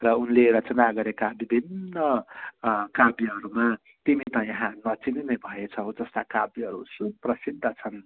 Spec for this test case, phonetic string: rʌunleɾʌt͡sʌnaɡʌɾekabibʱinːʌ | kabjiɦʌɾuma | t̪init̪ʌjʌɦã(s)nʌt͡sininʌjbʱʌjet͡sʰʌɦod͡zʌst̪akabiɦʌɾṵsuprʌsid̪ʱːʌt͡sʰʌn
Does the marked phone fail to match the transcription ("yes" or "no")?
yes